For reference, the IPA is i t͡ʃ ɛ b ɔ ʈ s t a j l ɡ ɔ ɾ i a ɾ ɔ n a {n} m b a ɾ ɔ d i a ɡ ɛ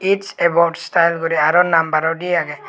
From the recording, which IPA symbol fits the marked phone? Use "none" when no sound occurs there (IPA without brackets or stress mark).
none